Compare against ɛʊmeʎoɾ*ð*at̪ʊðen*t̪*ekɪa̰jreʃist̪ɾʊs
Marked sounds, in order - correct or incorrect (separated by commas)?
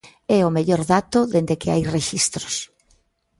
correct, incorrect